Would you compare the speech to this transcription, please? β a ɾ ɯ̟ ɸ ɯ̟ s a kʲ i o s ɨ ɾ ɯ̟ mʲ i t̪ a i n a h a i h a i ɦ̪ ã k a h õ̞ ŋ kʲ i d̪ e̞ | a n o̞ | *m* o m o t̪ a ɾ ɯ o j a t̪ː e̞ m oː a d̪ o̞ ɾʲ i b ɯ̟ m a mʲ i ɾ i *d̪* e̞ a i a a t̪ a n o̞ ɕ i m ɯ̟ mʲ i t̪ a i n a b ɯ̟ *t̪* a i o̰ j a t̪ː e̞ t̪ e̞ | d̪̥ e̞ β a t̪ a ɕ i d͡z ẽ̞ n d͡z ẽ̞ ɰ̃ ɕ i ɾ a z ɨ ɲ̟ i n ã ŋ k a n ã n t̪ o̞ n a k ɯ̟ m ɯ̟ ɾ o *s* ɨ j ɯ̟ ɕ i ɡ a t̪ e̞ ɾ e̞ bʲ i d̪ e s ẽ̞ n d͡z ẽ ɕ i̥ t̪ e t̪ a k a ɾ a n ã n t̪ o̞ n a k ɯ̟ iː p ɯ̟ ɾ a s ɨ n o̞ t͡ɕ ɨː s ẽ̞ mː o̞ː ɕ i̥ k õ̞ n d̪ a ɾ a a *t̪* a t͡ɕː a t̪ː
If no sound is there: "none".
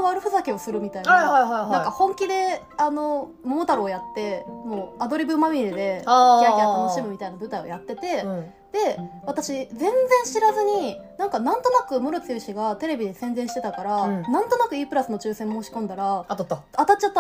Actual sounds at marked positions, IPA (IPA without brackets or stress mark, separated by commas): m, d̪, t̪, t͡s, t̪